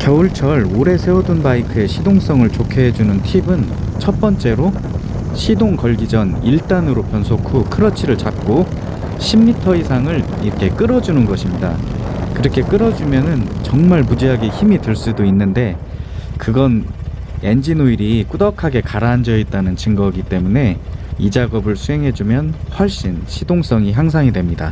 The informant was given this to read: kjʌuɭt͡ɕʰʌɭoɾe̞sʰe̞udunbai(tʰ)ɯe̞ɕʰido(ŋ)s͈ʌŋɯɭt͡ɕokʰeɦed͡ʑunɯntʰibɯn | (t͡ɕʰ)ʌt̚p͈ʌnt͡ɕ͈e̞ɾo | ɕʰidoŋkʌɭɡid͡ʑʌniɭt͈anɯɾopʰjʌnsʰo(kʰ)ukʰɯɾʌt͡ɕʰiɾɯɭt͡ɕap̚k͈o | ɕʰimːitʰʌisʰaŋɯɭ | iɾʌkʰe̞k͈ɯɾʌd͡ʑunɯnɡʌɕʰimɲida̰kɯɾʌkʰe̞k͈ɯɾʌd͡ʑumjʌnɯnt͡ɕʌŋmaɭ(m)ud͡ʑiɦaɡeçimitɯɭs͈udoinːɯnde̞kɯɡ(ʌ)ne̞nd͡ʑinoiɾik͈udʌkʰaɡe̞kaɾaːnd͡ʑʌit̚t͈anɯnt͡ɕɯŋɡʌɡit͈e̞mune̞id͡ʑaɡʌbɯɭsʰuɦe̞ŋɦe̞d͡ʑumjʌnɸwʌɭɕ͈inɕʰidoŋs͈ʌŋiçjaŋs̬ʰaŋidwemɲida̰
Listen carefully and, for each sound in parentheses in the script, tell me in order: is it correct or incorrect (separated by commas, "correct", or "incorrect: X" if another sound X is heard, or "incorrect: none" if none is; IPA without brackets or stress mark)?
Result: incorrect: kʰ, correct, correct, correct, correct, correct